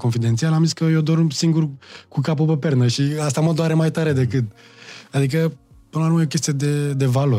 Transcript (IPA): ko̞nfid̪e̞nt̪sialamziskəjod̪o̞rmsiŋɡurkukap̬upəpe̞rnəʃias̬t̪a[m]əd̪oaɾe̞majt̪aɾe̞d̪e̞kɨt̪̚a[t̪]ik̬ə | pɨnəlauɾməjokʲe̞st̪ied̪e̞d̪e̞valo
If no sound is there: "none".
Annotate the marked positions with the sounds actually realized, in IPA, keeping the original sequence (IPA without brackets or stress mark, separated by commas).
m, d̪